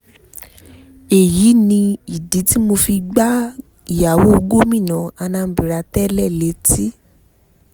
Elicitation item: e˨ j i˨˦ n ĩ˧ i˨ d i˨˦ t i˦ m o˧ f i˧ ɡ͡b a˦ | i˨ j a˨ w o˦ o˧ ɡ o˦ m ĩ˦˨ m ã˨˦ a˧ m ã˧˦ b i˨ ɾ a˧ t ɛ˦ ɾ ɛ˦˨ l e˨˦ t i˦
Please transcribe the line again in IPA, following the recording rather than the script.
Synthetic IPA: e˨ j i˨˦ n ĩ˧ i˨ d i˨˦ t i˦ m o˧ f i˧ ɡ͡b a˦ | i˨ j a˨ w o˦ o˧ ɡ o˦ m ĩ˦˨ n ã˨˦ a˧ n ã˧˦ b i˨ ɾ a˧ t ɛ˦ l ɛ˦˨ l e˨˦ t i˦